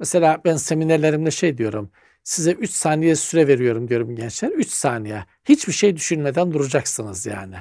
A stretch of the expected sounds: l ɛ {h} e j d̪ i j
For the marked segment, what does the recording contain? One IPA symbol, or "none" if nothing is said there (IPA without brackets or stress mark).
ʃ